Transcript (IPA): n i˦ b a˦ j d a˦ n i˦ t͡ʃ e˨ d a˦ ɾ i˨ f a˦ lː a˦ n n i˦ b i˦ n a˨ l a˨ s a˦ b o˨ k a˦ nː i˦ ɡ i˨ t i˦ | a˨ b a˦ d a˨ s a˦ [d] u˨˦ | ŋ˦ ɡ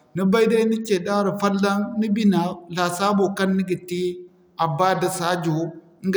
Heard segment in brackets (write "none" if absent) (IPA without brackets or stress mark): d͡ʒ